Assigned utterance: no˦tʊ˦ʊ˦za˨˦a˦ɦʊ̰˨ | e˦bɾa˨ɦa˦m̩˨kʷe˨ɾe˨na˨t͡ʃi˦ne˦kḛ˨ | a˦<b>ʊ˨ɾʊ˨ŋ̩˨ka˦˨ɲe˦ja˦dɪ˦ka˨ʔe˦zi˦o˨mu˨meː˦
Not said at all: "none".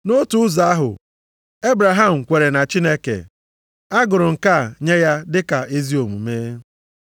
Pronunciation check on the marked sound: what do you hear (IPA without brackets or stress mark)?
ɡ